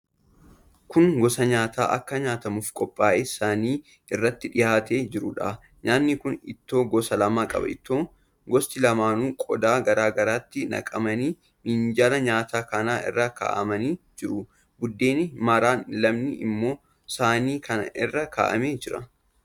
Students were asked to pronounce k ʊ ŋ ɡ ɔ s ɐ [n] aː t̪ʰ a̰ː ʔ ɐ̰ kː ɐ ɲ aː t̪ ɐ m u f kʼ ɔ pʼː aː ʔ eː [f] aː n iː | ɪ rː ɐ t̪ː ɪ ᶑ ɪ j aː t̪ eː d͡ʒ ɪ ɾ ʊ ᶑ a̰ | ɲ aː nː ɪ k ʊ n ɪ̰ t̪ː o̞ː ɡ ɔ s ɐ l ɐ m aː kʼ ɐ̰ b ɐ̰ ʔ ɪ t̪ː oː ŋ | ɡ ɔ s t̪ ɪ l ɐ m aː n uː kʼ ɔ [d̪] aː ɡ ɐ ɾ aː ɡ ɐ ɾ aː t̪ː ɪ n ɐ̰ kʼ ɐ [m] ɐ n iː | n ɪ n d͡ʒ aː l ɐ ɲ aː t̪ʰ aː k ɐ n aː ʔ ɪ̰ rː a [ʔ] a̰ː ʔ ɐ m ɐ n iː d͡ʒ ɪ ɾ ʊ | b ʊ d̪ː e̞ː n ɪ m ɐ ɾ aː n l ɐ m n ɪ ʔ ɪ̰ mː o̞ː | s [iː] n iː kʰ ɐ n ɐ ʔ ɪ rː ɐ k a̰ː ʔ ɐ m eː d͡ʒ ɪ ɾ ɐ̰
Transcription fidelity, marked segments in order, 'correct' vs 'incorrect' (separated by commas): incorrect, incorrect, correct, correct, incorrect, incorrect